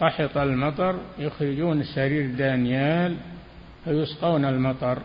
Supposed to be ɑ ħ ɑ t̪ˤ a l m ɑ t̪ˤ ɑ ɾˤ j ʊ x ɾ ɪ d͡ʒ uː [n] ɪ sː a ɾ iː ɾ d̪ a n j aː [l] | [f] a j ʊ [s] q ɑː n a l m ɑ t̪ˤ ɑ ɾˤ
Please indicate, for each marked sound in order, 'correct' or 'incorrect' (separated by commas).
correct, correct, correct, correct